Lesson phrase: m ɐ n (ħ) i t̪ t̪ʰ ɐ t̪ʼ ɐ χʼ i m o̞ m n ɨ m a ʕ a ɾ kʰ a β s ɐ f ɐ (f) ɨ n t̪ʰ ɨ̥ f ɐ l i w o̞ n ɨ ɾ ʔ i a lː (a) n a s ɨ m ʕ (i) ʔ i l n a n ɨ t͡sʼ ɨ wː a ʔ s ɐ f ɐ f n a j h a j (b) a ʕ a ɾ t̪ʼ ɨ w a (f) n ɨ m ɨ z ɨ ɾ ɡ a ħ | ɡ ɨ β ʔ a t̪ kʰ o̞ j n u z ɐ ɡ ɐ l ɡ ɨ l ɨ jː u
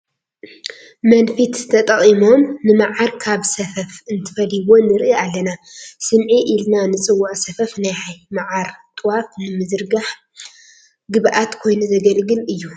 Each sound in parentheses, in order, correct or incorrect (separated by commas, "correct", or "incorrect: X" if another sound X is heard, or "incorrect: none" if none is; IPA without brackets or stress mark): incorrect: f, correct, incorrect: ɐ, correct, incorrect: m, correct